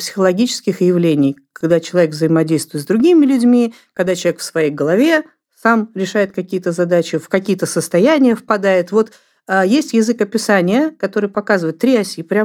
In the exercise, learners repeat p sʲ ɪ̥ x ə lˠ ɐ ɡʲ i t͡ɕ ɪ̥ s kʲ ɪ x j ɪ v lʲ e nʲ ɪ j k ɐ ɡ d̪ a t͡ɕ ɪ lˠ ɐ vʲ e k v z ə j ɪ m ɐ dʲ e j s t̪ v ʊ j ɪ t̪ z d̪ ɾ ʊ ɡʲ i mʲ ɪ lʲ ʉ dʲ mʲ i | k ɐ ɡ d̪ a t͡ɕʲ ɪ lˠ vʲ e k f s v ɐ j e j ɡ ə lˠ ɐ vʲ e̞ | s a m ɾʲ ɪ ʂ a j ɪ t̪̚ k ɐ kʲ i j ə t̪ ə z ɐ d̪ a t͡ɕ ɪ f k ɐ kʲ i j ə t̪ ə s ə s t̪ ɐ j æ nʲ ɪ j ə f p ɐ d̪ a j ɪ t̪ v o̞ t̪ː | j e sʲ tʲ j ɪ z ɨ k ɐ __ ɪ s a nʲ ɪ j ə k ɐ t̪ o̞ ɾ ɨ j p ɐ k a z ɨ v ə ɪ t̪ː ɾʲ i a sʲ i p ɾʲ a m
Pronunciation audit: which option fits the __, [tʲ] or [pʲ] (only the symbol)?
pʲ